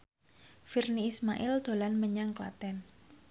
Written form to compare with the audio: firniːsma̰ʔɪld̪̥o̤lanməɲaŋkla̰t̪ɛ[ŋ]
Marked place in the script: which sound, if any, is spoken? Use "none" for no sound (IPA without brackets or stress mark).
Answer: n